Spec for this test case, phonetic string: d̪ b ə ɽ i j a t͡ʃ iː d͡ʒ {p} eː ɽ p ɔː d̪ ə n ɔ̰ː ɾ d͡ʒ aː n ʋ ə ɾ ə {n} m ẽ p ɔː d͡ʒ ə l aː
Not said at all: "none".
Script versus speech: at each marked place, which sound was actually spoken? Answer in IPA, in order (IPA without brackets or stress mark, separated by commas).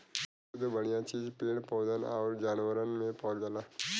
p, n